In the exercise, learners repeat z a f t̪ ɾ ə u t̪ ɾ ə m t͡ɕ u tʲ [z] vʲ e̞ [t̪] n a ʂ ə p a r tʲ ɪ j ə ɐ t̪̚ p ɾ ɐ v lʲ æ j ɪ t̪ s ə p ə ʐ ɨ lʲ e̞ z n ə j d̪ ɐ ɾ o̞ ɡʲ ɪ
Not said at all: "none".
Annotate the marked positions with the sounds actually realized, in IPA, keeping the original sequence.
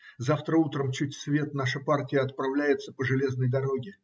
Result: s, t̪

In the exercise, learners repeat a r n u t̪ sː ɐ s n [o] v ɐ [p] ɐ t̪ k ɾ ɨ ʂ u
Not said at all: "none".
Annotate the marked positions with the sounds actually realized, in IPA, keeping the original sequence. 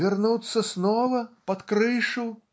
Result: ɔ, p

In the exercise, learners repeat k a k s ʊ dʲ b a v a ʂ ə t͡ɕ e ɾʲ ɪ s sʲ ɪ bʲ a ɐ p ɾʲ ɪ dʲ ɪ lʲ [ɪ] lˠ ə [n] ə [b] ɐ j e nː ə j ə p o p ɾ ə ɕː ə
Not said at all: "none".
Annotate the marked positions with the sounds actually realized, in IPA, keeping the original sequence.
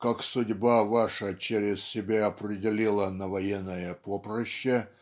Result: i, n, v

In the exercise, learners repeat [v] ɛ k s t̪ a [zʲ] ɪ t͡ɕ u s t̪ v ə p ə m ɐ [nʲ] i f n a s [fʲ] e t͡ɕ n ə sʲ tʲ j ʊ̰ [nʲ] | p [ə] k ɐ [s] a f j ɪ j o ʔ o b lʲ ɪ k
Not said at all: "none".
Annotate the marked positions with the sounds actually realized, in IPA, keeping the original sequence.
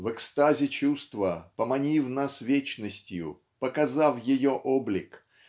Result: v, zʲ, nʲ, vʲ, none, ə, z

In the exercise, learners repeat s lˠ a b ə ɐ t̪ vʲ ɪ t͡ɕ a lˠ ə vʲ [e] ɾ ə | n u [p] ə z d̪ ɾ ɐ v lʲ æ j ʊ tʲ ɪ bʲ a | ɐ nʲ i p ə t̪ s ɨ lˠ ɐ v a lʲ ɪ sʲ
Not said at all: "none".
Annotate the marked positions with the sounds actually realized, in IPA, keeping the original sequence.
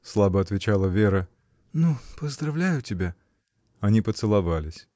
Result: e, p

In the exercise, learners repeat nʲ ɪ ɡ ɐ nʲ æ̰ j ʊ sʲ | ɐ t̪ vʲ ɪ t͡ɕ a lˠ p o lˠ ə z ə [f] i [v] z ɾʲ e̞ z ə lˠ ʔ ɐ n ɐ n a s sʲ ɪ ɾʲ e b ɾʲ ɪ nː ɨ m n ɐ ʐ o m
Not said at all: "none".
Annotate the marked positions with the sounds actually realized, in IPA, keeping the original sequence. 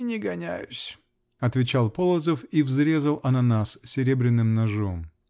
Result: f, v

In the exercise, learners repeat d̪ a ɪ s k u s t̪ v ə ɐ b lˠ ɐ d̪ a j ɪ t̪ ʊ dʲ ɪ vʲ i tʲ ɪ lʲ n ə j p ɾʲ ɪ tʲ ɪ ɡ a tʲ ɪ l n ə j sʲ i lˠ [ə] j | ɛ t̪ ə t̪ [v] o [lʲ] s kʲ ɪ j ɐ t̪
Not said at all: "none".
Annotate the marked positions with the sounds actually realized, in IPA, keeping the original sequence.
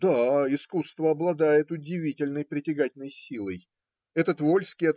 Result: ə, v, lʲ

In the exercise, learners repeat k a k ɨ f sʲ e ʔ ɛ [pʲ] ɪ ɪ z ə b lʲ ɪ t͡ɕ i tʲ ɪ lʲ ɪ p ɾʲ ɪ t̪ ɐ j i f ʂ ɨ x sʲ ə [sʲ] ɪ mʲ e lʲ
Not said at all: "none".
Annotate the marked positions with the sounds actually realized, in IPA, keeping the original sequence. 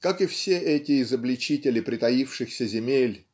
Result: tʲ, zʲ

